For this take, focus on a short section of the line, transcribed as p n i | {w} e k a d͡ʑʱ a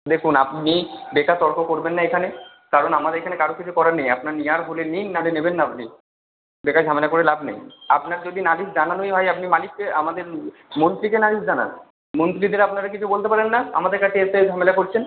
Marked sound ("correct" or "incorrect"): incorrect